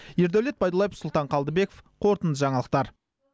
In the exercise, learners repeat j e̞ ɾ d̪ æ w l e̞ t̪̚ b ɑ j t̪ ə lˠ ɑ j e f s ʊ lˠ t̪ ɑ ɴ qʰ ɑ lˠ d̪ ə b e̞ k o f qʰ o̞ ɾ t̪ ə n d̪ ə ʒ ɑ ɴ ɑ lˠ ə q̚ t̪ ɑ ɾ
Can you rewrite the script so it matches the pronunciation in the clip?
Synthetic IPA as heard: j e̞ ɾ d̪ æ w l e̞ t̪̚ b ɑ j d̪ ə lˠ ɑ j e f s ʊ lˠ t̪ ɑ ɴ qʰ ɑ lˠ d̪ ə b e̞ k o f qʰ o̞ ɾ t̪ ə n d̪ ə ʒ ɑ ɴ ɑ lˠ ə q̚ t̪ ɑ ɾ